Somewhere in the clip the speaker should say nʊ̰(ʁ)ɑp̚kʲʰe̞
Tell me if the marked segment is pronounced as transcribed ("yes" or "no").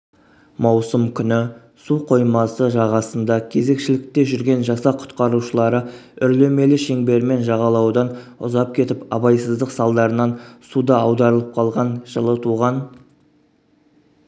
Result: no